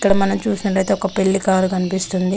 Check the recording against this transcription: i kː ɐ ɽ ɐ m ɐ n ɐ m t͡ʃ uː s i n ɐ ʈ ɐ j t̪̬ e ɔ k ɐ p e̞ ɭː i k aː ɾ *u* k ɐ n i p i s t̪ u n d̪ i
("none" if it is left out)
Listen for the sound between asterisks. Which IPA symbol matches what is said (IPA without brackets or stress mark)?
u